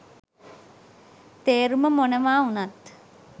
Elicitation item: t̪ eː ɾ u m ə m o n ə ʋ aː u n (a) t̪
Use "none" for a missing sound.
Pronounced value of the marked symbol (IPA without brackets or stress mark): a